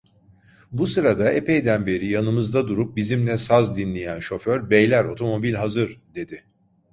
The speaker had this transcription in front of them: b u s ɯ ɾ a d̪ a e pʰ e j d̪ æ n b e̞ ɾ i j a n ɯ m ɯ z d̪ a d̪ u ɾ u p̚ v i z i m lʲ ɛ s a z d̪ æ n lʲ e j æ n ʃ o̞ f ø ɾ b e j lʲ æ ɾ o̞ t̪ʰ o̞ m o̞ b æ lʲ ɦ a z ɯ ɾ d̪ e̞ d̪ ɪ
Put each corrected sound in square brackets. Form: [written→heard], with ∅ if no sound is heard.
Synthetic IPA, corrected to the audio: b u s ɯ ɾ a d̪ a e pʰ e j d̪ æ n b e̞ ɾ i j a n ɯ m ɯ z d̪ a d̪ u ɾ u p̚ [v→b] i z i m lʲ ɛ s a z d̪ [æ→i] n lʲ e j æ n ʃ o̞ f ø ɾ b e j lʲ æ ɾ o̞ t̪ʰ o̞ m o̞ b [æ→i] lʲ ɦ a z ɯ ɾ d̪ e̞ d̪ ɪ